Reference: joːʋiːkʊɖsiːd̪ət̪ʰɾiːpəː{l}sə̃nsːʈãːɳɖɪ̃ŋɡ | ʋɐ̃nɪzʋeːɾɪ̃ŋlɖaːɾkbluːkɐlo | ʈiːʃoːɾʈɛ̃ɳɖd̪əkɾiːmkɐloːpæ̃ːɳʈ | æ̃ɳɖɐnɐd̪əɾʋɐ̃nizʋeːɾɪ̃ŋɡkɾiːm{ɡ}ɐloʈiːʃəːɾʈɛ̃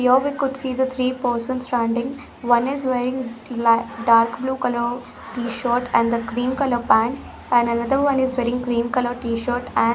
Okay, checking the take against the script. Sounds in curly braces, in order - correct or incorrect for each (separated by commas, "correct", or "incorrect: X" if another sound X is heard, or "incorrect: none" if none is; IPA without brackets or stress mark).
incorrect: ɾ, incorrect: k